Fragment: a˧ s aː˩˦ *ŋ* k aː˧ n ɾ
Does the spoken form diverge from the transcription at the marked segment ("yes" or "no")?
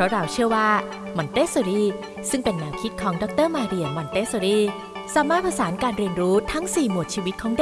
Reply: yes